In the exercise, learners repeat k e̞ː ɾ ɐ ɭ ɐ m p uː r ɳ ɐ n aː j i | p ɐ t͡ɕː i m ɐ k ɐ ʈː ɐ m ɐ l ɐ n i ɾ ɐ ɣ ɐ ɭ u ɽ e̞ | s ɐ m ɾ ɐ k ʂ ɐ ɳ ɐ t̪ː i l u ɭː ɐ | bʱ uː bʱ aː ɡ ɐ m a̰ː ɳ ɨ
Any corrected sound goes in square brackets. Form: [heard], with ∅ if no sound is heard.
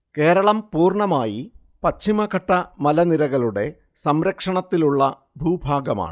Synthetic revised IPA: k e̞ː ɾ ɐ ɭ ɐ m p uː r ɳ ɐ [m] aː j i | p ɐ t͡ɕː i m ɐ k ɐ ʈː ɐ m ɐ l ɐ n i ɾ ɐ ɣ ɐ ɭ u ɽ e̞ | s ɐ m ɾ ɐ k ʂ ɐ ɳ ɐ t̪ː i l u ɭː ɐ | bʱ uː bʱ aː ɡ ɐ m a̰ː ɳ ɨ